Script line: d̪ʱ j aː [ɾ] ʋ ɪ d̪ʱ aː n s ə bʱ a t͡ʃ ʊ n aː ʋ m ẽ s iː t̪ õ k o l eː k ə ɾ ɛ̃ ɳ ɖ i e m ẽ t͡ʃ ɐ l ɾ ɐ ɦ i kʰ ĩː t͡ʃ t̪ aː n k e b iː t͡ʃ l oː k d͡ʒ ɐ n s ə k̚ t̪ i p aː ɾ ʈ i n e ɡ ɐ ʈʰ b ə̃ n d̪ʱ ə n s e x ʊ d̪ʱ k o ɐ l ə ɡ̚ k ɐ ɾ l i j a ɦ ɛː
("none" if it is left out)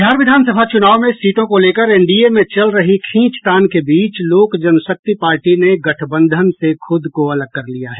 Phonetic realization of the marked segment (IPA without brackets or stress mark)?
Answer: ɾ